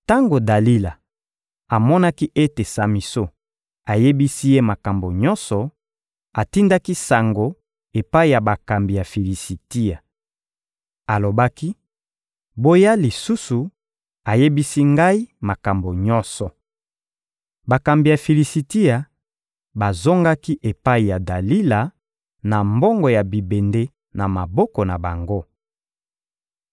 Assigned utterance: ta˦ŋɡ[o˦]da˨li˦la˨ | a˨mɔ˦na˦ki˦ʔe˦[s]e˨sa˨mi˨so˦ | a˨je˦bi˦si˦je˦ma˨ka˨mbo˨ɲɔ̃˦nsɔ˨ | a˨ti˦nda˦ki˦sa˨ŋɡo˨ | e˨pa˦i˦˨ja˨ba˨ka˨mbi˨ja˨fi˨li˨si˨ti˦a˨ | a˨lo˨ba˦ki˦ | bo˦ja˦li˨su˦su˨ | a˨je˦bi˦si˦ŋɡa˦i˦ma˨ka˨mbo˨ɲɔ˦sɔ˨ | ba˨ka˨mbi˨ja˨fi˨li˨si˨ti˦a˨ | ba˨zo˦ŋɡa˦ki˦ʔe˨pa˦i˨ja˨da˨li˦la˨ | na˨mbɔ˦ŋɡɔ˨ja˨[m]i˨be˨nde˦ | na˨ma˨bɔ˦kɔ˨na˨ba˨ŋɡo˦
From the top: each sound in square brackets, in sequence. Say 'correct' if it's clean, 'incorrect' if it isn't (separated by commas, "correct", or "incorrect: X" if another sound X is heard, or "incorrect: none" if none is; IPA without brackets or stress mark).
incorrect: o˨, incorrect: t, incorrect: b